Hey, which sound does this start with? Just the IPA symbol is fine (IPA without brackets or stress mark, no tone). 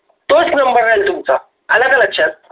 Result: t̪